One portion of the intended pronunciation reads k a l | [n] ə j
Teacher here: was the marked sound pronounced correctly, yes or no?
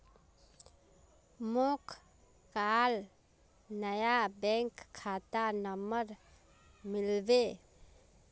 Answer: yes